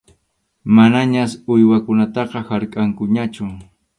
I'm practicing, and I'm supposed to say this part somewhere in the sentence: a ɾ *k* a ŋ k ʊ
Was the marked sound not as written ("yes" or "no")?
yes